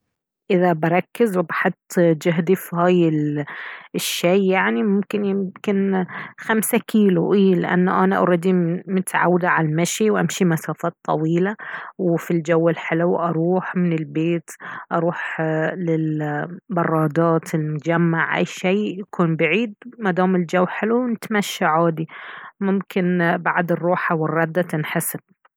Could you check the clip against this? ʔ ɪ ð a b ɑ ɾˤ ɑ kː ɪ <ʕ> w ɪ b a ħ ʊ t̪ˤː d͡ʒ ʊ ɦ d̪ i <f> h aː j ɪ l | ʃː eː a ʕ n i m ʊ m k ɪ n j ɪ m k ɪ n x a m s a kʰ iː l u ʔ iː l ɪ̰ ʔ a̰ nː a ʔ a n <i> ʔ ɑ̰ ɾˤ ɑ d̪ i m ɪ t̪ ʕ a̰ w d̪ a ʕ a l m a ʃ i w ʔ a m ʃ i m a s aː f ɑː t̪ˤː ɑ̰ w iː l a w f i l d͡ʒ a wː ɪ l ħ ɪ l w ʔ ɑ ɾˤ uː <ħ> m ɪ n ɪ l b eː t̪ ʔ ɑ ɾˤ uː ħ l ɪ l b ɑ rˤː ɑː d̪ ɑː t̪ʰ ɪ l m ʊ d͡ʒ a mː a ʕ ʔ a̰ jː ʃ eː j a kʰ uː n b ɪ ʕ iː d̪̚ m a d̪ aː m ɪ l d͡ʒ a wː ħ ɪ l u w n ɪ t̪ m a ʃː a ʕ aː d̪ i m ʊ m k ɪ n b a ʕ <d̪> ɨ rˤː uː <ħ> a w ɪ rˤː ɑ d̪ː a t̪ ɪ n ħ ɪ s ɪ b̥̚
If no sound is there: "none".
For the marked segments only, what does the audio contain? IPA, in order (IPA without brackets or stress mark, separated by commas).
z, f, a, ħ, d̪, ħ